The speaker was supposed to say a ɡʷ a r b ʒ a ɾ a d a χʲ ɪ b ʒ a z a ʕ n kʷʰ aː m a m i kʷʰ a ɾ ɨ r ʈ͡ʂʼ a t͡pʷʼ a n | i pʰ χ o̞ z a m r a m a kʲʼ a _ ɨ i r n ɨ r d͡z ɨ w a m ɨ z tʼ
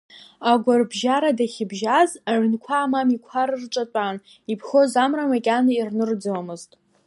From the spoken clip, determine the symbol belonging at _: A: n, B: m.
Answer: A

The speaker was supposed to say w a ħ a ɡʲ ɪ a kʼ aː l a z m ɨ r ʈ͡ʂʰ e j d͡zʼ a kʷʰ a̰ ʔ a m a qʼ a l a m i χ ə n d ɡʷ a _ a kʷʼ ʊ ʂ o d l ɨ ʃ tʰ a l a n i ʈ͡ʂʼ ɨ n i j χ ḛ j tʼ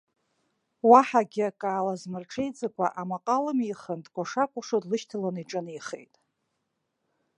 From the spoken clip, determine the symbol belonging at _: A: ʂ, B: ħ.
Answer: A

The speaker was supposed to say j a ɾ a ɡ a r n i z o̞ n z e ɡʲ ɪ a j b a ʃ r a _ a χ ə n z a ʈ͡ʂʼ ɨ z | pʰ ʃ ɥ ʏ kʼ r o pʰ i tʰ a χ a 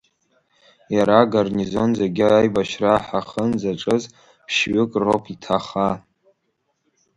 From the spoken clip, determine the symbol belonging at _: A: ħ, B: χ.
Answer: A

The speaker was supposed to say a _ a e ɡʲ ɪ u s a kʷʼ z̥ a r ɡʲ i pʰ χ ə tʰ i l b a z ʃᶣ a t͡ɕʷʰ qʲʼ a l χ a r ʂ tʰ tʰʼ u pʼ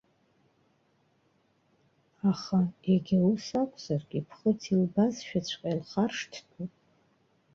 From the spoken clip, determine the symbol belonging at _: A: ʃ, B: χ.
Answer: B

